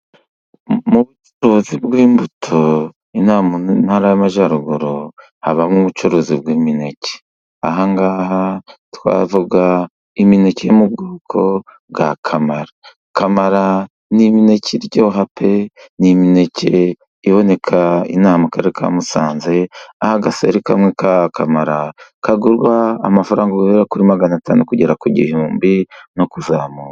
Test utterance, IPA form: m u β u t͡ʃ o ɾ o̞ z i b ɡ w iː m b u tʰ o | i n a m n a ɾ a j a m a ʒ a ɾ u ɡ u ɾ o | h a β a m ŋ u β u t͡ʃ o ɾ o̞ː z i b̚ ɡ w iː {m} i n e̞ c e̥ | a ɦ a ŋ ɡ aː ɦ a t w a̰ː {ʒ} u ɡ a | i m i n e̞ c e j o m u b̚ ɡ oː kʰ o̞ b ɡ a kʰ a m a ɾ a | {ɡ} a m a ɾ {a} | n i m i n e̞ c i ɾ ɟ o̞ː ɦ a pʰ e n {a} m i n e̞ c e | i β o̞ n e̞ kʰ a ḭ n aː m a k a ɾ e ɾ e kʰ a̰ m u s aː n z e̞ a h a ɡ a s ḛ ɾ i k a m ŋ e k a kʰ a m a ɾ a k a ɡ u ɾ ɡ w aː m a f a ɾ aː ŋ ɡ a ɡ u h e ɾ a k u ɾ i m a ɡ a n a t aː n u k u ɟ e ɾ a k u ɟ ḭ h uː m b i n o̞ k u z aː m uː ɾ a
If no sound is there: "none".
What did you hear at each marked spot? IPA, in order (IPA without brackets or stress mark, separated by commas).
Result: m, v, k, a, i